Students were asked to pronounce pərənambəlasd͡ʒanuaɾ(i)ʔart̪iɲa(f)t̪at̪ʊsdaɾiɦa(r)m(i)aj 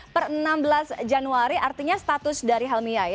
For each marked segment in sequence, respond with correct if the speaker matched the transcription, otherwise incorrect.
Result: correct, incorrect, incorrect, correct

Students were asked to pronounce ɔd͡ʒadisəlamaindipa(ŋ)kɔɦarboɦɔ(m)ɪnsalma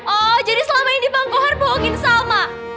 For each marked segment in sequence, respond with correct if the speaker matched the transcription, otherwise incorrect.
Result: correct, incorrect

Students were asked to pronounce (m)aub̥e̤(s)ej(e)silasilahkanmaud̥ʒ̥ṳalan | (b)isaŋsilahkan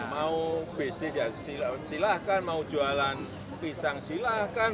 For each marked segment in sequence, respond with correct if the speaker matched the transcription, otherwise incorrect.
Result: correct, correct, incorrect, incorrect

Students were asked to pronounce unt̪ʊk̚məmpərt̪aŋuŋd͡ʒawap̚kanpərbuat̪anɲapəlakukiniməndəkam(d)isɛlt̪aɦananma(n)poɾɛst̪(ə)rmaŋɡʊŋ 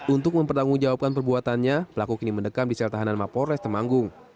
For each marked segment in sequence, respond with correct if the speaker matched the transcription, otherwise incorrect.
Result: correct, incorrect, correct

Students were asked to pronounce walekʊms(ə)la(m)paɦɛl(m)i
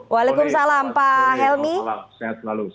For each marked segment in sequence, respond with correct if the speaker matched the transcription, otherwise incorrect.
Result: incorrect, correct, correct

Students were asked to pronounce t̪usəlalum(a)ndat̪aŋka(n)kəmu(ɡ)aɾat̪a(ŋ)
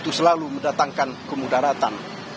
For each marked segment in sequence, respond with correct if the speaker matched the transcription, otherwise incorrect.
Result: incorrect, correct, incorrect, incorrect

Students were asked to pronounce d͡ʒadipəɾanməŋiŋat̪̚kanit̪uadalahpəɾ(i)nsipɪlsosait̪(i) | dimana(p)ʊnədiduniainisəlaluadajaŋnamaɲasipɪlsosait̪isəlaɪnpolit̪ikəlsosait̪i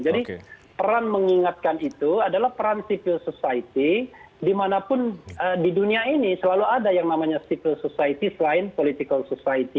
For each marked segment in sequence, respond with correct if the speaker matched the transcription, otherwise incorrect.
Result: incorrect, correct, correct

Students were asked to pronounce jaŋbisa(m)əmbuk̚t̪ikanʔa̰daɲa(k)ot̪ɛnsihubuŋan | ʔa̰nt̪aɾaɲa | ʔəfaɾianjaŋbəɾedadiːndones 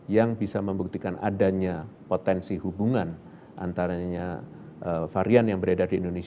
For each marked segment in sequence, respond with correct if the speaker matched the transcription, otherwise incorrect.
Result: correct, incorrect

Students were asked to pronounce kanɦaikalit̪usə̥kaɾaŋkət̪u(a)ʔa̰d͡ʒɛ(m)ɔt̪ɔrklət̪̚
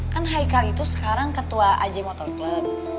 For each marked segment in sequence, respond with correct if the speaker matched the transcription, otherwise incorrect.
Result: correct, correct

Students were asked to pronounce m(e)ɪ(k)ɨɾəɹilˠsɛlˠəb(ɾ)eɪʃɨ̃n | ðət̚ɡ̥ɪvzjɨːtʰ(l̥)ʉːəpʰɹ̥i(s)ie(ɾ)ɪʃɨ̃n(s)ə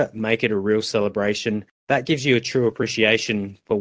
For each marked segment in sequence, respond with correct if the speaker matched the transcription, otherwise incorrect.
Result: correct, correct, incorrect, incorrect, incorrect, incorrect, incorrect

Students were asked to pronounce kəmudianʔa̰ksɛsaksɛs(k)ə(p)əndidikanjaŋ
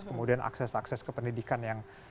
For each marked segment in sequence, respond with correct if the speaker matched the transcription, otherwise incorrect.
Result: correct, correct

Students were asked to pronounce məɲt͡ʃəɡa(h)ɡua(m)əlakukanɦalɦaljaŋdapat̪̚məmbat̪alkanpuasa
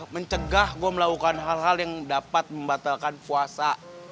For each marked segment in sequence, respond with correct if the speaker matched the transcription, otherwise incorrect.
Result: correct, correct

